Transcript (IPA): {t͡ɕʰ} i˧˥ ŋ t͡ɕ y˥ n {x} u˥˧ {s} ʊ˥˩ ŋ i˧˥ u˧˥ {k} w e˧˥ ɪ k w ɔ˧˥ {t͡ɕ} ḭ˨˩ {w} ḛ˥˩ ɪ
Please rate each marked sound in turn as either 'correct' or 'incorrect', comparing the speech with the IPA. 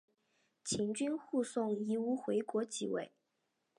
correct, correct, correct, incorrect, correct, correct

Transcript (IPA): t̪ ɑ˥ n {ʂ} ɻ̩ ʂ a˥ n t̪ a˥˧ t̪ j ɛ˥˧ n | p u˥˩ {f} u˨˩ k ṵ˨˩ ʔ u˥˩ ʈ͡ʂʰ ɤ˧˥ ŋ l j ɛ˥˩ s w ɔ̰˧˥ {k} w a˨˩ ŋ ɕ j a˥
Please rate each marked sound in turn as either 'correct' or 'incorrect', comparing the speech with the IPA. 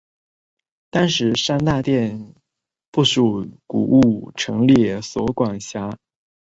correct, incorrect, correct

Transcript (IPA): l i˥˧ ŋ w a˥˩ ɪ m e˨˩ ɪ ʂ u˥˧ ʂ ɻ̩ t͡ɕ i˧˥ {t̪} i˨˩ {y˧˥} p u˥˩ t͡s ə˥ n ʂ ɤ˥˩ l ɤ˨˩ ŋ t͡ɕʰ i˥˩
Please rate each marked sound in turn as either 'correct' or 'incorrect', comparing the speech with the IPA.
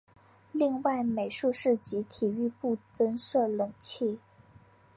incorrect, incorrect

